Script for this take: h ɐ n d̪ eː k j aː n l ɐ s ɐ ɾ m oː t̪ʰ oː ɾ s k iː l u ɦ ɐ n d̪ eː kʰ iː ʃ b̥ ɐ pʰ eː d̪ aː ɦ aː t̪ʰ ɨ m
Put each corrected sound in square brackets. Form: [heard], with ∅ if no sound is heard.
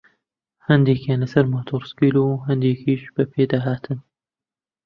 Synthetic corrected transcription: h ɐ n d̪ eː k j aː n l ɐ s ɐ ɾ m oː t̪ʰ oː ɾ s k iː l u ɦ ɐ n d̪ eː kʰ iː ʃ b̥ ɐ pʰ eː d̪ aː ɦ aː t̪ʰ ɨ [n]